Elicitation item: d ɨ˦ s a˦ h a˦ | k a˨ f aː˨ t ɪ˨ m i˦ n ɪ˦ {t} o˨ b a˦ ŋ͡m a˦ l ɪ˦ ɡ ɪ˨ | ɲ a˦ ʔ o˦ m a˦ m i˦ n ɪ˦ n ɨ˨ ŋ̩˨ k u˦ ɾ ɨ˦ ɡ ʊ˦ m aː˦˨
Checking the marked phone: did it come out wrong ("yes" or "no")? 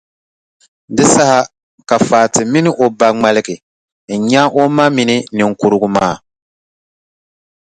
yes